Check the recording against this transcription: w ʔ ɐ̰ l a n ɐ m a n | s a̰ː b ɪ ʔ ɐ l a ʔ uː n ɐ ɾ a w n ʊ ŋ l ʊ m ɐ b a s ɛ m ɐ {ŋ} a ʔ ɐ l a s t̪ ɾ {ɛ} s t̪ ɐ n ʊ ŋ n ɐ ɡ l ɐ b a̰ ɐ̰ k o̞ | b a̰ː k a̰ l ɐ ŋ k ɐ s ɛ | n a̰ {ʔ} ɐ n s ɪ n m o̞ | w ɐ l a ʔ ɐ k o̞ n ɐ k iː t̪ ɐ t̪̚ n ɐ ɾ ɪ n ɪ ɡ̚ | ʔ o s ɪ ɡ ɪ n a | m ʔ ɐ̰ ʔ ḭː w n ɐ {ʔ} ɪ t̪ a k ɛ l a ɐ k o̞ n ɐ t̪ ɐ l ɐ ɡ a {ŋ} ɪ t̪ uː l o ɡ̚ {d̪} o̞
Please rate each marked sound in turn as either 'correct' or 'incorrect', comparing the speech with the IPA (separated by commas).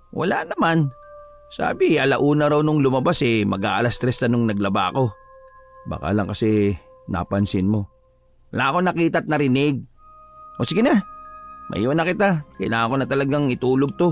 incorrect, correct, incorrect, incorrect, correct, incorrect